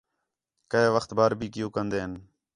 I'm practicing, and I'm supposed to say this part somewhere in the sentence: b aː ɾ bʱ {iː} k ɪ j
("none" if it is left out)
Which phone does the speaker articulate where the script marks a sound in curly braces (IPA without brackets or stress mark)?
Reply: iː